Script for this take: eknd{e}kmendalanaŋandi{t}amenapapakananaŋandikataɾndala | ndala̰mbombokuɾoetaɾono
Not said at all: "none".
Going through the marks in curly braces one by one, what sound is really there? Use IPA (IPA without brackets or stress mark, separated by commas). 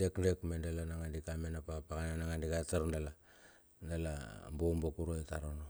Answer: e, k